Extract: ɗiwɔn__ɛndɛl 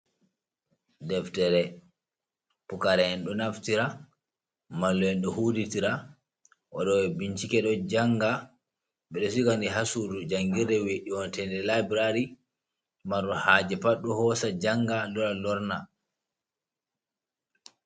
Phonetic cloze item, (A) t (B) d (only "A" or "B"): A